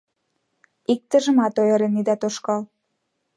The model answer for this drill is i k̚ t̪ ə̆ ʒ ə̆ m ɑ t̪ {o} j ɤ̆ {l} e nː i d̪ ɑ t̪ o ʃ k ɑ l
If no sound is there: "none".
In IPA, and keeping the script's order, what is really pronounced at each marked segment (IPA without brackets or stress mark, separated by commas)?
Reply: o, ɾ